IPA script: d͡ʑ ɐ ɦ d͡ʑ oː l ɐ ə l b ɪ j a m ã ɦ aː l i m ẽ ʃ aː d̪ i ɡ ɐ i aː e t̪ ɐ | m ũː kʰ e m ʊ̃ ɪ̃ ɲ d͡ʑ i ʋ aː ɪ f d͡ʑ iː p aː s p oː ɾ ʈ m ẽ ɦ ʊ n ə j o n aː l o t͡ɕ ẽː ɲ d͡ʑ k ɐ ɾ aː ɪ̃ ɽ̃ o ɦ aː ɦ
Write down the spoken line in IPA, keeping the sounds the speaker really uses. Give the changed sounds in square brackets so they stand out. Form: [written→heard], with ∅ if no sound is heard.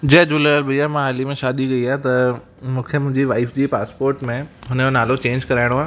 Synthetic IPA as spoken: d͡ʑ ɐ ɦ d͡ʑ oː l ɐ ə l b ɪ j a m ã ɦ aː l i m ẽ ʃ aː d̪ i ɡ ɐ i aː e t̪ ɐ | m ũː kʰ e m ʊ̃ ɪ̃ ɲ d͡ʑ i ʋ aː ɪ f d͡ʑ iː p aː s p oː ɾ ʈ m ẽ ɦ ʊ n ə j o n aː l o t͡ɕ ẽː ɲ d͡ʑ k ɐ ɾ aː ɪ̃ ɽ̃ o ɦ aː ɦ